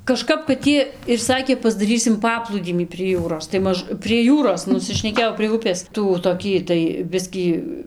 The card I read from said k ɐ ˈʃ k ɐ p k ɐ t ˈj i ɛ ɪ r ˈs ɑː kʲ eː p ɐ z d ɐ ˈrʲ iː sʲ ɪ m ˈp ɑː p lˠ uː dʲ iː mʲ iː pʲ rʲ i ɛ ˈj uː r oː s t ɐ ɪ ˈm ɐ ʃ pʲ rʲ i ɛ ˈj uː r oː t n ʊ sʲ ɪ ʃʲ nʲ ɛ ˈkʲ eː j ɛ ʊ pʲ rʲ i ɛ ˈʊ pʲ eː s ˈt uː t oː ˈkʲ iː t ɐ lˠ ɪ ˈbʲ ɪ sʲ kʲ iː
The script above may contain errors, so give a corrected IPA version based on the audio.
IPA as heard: k ɐ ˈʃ k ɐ p k ɐ t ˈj i ɛ ɪ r ˈs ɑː kʲ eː p ɐ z d ɐ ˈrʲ iː sʲ ɪ m ˈp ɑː p lˠ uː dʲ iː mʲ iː pʲ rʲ i ɛ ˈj uː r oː s t ɐ ɪ ˈm ɐ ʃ pʲ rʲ i ɛ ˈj uː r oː s n ʊ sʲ ɪ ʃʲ nʲ ɛ ˈkʲ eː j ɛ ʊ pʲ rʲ i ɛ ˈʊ pʲ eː s ˈt uː t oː ˈkʲ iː t ɐ ɪ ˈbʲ ɪ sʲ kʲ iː